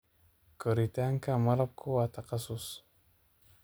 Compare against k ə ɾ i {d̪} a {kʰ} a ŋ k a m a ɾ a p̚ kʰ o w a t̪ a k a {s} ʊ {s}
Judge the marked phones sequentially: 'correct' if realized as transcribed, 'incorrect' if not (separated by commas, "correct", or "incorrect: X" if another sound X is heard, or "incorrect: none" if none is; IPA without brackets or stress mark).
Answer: incorrect: t̪, incorrect: none, correct, correct